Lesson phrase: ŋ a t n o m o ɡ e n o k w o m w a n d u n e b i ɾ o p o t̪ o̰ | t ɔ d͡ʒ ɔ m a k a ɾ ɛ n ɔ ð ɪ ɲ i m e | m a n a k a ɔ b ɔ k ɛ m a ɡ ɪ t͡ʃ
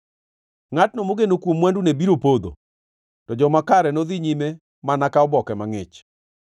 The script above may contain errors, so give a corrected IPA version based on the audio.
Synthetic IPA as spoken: ŋ a t n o m o ɡ e n o k w o m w a n d u n e b i ɾ o p o d̪ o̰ | t ɔ d͡ʒ ɔ m a k a ɾ ɛ n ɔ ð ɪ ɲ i m e | m a n a k a ɔ b ɔ k ɛ m a ŋ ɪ t͡ʃ